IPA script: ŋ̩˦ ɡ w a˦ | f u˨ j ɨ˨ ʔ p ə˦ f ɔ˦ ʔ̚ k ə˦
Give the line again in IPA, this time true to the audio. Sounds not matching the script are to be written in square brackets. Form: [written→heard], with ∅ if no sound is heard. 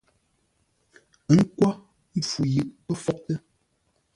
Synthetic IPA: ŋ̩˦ [ɡ→k] w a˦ | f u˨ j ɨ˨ ʔ p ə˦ f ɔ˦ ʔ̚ [k→t] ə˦